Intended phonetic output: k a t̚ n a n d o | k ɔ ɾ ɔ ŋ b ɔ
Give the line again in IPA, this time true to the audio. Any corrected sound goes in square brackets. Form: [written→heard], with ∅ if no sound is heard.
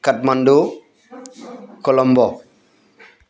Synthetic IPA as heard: k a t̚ [n→m] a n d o | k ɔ [ɾ→l] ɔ [ŋ→m] b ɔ